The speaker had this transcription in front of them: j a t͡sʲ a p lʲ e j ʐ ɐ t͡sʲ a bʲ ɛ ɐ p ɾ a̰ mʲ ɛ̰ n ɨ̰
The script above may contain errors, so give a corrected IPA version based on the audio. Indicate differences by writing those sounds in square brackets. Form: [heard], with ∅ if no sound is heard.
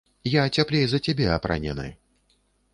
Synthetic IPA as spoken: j a t͡sʲ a p lʲ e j [z] ɐ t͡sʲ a bʲ ɛ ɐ p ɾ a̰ [nʲ] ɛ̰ n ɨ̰